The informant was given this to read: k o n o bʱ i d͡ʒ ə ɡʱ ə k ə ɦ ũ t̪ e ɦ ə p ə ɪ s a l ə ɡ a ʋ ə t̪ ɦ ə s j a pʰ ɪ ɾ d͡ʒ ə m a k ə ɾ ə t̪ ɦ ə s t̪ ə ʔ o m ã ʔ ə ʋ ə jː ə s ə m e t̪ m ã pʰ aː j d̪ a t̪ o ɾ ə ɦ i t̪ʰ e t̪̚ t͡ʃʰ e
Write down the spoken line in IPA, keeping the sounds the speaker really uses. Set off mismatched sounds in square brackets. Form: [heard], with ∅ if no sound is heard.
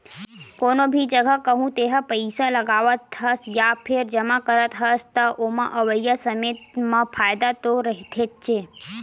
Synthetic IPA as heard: k o n o bʱ i d͡ʒ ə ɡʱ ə k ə ɦ ũ t̪ e ɦ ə p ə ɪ s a l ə ɡ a ʋ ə t̪ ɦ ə s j a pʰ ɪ ɾ d͡ʒ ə m a k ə ɾ ə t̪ ɦ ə s t̪ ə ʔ o m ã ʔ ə ʋ ə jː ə s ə m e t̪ m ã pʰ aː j d̪ a t̪ o ɾ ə ɦ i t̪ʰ e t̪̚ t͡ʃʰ e